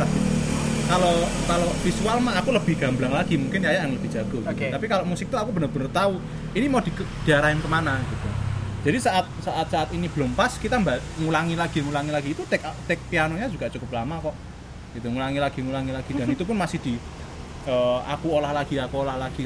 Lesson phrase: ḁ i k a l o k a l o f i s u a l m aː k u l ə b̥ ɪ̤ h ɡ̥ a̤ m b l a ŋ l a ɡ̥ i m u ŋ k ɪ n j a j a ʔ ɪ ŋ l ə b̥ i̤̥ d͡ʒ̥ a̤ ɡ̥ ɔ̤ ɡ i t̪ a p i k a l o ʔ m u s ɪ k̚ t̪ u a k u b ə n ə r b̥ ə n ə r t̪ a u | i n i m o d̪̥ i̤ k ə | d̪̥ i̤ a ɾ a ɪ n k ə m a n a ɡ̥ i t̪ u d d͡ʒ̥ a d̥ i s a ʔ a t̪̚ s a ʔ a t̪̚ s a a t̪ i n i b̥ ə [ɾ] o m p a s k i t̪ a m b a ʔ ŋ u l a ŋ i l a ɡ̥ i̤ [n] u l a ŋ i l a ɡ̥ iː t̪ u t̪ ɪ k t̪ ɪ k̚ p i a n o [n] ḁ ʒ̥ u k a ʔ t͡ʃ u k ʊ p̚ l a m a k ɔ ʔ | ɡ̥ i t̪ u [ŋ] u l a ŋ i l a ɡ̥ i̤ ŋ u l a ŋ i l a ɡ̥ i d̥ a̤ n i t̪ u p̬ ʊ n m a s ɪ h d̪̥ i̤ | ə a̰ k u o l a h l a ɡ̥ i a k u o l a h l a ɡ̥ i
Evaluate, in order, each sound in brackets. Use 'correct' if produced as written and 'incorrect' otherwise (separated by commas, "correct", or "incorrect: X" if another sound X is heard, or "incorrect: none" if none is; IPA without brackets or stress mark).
incorrect: l, incorrect: ŋ, incorrect: ɲ, correct